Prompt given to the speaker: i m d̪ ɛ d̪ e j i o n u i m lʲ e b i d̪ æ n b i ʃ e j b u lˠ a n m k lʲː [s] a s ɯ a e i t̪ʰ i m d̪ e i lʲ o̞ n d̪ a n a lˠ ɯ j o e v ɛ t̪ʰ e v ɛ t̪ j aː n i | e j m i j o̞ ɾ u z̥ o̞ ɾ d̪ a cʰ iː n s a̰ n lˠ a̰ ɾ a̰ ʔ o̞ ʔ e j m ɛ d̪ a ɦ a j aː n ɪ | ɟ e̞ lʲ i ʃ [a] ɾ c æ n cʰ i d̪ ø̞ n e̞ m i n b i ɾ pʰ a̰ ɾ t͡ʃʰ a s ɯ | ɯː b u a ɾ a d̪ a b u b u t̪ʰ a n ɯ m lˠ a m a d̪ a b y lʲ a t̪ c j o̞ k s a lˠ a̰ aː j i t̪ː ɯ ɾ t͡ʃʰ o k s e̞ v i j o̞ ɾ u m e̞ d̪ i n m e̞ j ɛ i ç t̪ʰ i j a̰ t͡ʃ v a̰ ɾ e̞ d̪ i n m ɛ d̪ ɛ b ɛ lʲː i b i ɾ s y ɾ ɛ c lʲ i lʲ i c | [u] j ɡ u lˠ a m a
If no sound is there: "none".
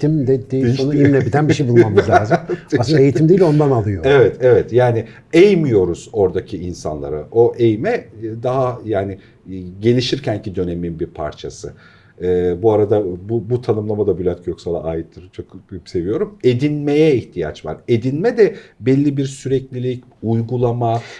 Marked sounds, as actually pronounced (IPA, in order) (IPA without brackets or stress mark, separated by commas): z, i, u